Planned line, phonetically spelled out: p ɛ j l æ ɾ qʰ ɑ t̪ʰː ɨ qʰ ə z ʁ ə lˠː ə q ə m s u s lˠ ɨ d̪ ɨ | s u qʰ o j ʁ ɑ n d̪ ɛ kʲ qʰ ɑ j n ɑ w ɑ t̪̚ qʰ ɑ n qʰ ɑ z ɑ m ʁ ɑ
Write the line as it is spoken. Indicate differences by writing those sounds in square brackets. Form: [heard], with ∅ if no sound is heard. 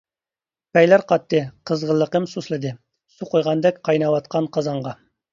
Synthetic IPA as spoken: p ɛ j l æ ɾ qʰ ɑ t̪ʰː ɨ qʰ ə z ʁ ə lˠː ə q ə m s u s lˠ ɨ d̪ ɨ | s u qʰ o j ʁ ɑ n d̪ ɛ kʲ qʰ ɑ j n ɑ w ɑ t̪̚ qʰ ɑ n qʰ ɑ z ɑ [ɴ] ʁ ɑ